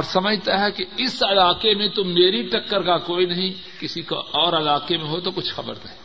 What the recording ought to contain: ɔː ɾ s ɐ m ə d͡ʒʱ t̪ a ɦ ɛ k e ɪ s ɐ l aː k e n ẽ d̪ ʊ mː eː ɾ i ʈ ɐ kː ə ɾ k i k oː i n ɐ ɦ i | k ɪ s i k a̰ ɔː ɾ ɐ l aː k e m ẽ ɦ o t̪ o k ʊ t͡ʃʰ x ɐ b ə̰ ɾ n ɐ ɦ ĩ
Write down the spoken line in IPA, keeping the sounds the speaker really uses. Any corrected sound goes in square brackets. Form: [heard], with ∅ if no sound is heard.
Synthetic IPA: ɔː ɾ s ɐ m ə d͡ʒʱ t̪ a ɦ ɛ k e ɪ s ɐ l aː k e [m] ẽ [t̪] ʊ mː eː ɾ i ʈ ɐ kː ə ɾ k [a] k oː i n ɐ ɦ [ĩ] | k ɪ s i k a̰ ɔː ɾ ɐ l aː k e m ẽ ɦ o t̪ o k ʊ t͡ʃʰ x ɐ b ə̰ ɾ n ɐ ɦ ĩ